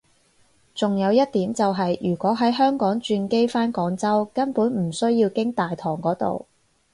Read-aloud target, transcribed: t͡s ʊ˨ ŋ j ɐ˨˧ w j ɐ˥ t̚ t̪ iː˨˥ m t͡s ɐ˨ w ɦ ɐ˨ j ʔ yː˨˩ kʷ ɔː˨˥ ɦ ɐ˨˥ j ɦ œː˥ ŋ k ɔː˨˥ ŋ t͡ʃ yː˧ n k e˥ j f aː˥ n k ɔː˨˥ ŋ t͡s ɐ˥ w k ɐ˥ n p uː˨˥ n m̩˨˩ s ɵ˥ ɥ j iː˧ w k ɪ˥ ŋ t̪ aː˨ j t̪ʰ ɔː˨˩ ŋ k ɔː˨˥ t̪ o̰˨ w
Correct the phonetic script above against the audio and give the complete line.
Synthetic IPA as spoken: t͡s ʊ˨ ŋ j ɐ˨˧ w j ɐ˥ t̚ t̪ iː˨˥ m t͡s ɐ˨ w ɦ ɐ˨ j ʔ yː˨˩ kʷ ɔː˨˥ ɦ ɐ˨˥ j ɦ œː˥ ŋ k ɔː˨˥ ŋ t͡ʃ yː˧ n k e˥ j f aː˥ n k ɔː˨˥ ŋ t͡s ɐ˥ w k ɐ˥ n p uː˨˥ n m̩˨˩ s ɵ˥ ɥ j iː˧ w k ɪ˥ ŋ t̪ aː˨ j t̪ʰ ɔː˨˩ ŋ k ɔː˨˥ t̪ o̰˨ w